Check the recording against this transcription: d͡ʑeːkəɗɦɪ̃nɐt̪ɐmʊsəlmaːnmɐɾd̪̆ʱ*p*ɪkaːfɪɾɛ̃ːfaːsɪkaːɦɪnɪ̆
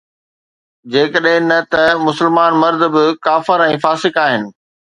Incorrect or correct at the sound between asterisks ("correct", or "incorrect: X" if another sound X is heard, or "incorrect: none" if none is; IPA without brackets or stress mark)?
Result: incorrect: b